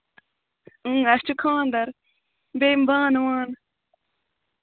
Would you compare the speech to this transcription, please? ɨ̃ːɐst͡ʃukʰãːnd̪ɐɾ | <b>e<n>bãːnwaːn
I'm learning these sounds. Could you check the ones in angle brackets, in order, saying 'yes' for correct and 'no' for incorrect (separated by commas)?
yes, no